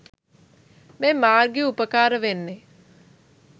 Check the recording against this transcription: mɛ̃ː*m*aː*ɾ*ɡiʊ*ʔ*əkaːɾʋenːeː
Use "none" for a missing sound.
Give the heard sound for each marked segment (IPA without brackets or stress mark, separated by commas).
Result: m, ɾ, p